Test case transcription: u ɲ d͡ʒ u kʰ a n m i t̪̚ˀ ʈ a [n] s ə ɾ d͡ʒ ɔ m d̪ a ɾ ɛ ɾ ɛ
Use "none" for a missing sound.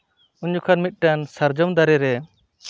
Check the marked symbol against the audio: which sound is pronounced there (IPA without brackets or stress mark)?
n